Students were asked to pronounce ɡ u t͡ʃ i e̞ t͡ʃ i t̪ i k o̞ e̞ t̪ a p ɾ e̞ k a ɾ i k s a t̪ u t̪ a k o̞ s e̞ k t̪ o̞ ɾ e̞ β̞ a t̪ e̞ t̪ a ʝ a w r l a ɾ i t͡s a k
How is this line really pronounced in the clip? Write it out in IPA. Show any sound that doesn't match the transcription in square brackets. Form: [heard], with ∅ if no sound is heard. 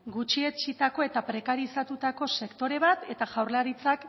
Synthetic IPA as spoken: ɡ u t͡ʃ i e̞ t͡ʃ i t̪ [a] k o̞ e̞ t̪ a p ɾ e̞ k a ɾ i [∅] s a t̪ u t̪ a k o̞ s e̞ k t̪ o̞ ɾ e̞ β̞ a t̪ e̞ t̪ a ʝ a w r l a ɾ i t͡s a k